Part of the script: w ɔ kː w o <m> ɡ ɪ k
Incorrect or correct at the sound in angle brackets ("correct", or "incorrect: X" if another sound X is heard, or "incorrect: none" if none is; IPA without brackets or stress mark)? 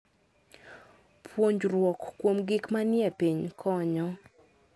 correct